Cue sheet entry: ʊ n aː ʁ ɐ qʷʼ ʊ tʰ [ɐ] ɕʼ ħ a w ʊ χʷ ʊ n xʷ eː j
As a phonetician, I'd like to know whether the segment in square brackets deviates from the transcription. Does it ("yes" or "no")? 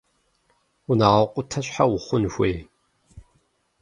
no